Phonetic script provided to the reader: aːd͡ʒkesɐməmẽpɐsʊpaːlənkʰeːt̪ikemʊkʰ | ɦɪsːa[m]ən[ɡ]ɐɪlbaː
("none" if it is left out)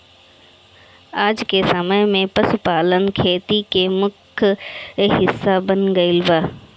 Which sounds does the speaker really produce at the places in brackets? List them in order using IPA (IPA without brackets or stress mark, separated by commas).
b, ɡ